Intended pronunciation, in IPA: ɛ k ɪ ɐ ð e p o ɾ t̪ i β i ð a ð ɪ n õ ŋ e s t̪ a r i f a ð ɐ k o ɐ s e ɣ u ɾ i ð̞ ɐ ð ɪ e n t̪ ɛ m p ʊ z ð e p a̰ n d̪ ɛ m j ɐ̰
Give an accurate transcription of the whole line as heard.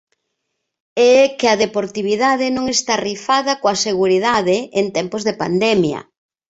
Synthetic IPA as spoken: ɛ k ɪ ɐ ð e p o ɾ t̪ i β i ð a ð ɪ n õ ŋ e s t̪ a r i f a ð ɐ k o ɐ s e ɣ u ɾ i ð̞ a ð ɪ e n t̪ ɛ m p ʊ z ð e p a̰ n d̪ ɛ m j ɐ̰